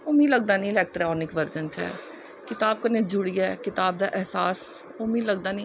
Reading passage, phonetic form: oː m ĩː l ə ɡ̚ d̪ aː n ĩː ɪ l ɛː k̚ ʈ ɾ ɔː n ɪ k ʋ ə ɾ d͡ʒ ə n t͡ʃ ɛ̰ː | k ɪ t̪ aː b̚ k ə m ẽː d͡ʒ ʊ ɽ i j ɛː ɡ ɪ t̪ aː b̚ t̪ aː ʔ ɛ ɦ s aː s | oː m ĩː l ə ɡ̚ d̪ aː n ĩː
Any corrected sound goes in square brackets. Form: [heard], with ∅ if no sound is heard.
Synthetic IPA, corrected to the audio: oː m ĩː l ə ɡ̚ d̪ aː n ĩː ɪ l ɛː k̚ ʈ ɾ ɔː n ɪ k ʋ ə ɾ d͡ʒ ə n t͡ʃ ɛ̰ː | k ɪ t̪ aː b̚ k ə [n] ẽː d͡ʒ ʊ ɽ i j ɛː [k] ɪ t̪ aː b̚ [d̪] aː ʔ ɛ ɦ s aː s | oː m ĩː l ə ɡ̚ d̪ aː n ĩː